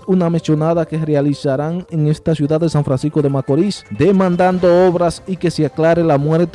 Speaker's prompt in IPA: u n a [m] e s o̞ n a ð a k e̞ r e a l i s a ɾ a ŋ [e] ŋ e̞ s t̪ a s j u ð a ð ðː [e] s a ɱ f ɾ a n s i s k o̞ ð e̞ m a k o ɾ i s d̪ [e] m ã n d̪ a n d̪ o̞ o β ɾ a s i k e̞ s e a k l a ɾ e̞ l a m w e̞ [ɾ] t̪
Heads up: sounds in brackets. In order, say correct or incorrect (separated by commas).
correct, correct, correct, correct, correct